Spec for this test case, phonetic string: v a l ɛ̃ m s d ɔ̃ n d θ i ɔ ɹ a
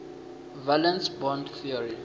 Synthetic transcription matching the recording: v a l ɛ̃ n s b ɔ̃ n d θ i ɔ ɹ i